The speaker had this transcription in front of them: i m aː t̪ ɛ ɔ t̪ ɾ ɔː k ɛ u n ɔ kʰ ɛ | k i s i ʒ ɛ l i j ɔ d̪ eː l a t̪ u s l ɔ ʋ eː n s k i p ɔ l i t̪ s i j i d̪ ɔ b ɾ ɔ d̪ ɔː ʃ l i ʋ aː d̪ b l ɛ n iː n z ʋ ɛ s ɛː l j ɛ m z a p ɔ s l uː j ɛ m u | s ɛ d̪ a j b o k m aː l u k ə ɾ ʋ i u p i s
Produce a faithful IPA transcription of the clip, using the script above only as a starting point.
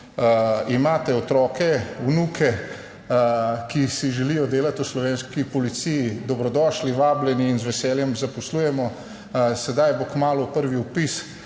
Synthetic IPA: i m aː t̪ ɛ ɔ t̪ ɾ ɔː k ɛ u n u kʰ ɛ | k i s i ʒ ɛ l i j ɔ d̪ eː l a t̪ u s l ɔ ʋ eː n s k i p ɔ l i t̪ s i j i d̪ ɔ b ɾ ɔ d̪ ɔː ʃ l i ʋ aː b l ɛ n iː n z ʋ ɛ s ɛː l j ɛ m z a p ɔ s l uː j ɛ m ɔ | s ɛ d̪ a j b o k m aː l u p ə ɾ ʋ i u p i s